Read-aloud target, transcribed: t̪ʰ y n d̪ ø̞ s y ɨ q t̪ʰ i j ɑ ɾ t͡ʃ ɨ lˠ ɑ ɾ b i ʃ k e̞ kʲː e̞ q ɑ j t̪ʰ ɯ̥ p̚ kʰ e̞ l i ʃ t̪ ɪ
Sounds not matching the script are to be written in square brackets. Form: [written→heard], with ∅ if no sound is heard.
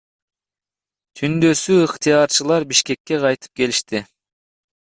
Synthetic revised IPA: t̪ʰ y n d̪ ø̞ s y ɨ q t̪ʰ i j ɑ ɾ t͡ʃ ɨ lˠ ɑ ɾ b i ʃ k e̞ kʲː e̞ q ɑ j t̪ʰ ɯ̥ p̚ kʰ e̞ l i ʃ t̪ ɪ